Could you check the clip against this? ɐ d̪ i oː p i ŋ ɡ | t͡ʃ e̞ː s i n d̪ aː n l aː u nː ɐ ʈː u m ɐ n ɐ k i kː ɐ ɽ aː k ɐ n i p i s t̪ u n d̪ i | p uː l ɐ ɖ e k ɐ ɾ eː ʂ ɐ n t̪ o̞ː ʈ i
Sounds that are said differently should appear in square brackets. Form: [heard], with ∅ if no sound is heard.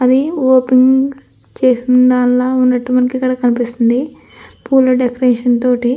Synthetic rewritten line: ɐ d̪ i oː p i ŋ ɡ | t͡ʃ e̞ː s i n d̪ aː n l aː u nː ɐ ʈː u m ɐ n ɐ k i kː ɐ ɽ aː k ɐ n i p i s t̪ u n d̪ i | p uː l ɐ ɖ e k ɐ ɾ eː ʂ ɐ n t̪ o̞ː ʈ i